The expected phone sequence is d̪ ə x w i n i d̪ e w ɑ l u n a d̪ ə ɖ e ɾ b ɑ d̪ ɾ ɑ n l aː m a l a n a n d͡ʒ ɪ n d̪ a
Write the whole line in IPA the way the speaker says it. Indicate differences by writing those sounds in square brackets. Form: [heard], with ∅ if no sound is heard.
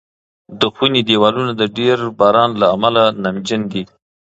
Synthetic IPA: d̪ ə x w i n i d̪ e w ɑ l u n a d̪ ə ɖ e ɾ b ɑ [∅] ɾ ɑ n l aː m a l a n a [m] d͡ʒ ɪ n d̪ [i]